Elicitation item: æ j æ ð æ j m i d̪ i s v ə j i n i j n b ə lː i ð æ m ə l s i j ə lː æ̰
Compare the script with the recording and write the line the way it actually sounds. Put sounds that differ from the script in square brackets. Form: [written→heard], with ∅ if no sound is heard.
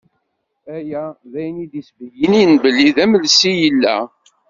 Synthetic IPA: æ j æ ð æ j [m→n] i d̪ i s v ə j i n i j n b ə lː i ð æ m ə l s i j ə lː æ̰